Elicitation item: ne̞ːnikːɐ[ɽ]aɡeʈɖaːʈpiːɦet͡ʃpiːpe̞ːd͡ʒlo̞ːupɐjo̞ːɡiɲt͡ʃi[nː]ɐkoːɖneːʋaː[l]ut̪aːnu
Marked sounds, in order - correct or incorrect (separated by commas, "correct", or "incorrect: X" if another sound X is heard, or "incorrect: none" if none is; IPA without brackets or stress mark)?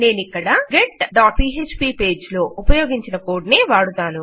correct, incorrect: n, incorrect: ɽ